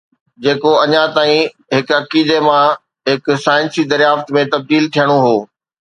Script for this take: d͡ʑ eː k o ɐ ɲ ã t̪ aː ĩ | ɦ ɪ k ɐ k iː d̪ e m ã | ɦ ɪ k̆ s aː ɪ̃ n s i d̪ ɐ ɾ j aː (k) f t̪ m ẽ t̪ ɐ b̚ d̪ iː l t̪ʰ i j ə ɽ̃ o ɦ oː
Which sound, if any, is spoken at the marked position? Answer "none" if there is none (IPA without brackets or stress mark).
none